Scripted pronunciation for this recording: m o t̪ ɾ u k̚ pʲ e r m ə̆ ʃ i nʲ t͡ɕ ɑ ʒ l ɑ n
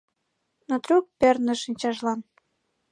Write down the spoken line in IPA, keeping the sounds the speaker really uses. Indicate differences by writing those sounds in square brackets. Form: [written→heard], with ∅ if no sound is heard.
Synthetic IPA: [m→n] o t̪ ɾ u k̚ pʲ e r [m→n] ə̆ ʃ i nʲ t͡ɕ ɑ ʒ l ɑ n